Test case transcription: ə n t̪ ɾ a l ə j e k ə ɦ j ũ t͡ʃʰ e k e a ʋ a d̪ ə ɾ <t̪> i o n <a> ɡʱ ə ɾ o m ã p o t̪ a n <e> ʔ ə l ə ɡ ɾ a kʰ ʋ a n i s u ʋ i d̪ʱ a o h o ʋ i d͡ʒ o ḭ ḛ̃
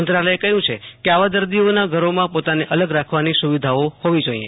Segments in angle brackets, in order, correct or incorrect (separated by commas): incorrect, correct, correct